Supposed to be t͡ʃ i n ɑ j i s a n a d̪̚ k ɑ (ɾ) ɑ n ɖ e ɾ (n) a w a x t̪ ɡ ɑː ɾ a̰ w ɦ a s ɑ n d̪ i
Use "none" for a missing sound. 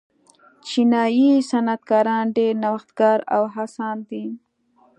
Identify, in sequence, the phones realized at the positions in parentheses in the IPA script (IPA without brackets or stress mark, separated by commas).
ɾ, n